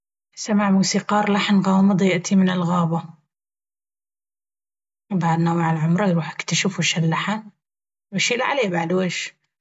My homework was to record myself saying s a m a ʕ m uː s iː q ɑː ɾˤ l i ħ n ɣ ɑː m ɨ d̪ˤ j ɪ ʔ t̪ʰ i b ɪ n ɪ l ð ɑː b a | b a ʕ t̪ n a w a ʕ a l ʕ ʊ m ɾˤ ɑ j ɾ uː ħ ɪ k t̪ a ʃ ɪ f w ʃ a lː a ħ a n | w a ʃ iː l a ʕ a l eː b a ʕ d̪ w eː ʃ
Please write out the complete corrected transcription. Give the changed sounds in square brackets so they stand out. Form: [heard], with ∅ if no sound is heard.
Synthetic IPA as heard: s a m a ʕ m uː s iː q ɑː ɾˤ l [a] ħ n ɣ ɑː m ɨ d̪ˤ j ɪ ʔ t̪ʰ i [m] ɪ n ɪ l [ɣ] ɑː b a | b a ʕ [d̪] n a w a ʕ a l ʕ ʊ m ɾˤ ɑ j ɾ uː ħ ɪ k t̪ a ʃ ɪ f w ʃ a lː a ħ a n | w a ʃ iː l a ʕ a l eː b a ʕ d̪ w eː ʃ